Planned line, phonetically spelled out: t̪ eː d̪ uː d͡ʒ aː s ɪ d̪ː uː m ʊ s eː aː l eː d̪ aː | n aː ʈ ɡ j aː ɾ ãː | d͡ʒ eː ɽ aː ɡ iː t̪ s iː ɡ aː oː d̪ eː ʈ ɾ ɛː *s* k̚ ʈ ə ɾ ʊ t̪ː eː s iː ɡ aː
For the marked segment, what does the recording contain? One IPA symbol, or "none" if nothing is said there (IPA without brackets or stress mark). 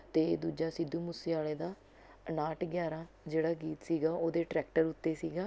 none